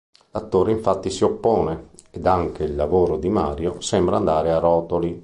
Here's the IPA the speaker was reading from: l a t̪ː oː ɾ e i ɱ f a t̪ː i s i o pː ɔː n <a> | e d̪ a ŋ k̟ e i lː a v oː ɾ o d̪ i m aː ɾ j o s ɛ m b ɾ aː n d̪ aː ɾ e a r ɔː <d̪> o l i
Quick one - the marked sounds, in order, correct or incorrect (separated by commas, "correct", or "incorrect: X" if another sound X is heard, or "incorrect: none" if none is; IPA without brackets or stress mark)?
incorrect: e, incorrect: t̪